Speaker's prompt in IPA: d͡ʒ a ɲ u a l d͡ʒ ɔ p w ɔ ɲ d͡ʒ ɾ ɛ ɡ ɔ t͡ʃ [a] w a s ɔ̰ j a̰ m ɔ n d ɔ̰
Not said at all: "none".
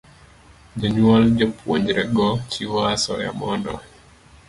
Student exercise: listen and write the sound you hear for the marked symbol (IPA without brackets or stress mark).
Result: i